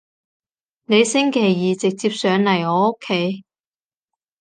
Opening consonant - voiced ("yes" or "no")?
yes